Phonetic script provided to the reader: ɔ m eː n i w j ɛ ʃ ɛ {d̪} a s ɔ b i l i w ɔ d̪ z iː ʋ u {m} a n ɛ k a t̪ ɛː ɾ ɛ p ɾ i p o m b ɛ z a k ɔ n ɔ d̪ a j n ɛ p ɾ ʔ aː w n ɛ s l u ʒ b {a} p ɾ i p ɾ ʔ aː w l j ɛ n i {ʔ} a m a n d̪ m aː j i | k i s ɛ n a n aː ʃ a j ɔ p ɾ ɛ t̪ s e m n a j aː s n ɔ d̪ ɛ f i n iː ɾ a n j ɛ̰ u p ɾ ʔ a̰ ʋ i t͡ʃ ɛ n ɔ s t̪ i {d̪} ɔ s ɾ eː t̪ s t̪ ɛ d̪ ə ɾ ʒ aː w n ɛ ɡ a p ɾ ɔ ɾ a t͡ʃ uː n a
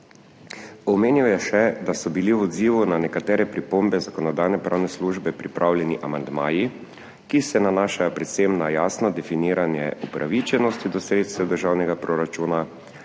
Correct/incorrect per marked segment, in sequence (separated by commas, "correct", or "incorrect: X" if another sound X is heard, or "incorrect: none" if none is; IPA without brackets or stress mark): correct, incorrect: n, incorrect: ɛ, correct, correct